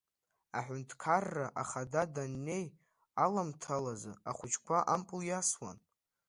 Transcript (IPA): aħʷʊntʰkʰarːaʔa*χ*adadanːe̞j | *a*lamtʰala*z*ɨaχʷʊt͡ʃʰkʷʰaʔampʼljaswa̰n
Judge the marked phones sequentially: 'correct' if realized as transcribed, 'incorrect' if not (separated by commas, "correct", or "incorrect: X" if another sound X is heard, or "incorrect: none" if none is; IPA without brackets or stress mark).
correct, correct, correct